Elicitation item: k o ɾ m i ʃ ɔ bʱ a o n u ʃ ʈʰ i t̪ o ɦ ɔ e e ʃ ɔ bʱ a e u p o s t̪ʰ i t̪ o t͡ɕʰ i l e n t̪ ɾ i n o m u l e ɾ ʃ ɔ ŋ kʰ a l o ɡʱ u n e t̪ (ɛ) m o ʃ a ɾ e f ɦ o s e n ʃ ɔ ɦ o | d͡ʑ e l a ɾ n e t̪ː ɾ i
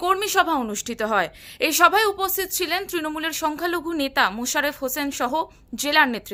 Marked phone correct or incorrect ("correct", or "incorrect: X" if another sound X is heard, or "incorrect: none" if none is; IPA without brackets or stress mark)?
incorrect: a